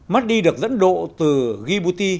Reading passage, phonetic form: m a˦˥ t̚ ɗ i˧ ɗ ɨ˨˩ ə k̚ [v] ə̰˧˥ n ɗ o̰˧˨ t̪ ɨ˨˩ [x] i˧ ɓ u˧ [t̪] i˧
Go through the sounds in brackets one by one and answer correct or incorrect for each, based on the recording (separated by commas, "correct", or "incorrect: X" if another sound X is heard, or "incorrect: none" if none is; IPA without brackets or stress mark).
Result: incorrect: z, incorrect: ɣ, correct